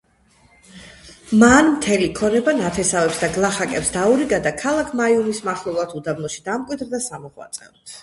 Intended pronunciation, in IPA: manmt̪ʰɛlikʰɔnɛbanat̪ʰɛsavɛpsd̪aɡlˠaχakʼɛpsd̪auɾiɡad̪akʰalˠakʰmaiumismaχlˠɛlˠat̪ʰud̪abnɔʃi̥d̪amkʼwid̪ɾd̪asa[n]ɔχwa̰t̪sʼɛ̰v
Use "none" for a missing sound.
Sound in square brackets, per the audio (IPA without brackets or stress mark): m